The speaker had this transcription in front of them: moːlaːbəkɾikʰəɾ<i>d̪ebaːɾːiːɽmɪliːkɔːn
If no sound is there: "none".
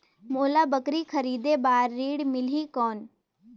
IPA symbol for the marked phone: iː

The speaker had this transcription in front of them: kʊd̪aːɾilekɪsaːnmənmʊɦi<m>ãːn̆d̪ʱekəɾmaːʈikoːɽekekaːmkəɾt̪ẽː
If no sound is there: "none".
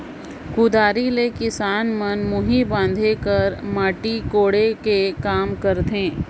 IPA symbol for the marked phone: b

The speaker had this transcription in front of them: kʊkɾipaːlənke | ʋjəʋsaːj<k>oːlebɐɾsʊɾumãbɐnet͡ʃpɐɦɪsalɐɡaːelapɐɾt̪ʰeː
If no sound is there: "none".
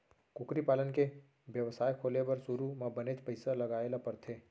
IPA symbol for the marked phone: kʰ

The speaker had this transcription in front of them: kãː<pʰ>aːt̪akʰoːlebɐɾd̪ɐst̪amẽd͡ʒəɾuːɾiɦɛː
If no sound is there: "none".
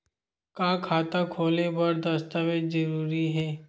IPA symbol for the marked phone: kʰ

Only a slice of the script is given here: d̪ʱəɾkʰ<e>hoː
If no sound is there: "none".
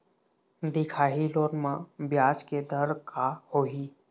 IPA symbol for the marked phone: a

